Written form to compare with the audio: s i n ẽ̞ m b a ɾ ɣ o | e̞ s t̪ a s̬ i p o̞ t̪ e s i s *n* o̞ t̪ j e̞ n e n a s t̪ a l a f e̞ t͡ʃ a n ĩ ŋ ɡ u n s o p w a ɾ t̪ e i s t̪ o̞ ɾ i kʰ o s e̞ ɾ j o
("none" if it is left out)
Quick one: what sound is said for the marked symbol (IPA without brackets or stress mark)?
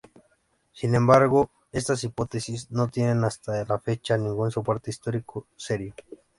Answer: n